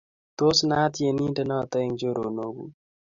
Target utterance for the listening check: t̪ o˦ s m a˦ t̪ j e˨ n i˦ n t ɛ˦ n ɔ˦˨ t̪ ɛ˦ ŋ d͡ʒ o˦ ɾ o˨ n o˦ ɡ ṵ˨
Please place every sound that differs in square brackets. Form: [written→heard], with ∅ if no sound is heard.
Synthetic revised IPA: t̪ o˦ s [m→n] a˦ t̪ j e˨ n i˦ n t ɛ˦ n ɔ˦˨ t̪ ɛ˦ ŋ d͡ʒ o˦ ɾ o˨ n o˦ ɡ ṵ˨